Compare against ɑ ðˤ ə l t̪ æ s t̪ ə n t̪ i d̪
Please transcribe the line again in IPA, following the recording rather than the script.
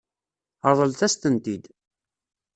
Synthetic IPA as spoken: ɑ ðˤ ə l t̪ æ s t̪ ə n t̪ i d̪